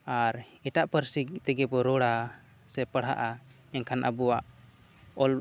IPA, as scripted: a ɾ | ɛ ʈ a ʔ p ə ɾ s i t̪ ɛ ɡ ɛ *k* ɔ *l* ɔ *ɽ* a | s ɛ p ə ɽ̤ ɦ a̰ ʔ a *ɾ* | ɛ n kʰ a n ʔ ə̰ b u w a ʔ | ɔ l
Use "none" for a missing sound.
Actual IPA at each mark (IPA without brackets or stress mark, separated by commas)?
p, ɾ, ɽ, none